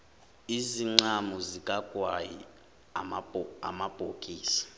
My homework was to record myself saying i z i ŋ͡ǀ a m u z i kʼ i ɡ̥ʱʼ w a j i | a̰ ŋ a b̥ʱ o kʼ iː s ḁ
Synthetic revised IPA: i z i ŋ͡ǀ a m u z i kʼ a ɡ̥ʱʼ w a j i | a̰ m a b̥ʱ o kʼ iː s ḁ